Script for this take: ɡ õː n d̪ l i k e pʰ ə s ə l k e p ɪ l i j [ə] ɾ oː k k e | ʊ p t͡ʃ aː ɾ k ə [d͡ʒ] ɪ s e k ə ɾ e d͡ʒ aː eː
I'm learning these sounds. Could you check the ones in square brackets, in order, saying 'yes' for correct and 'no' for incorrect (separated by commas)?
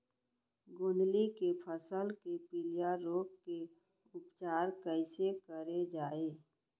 no, no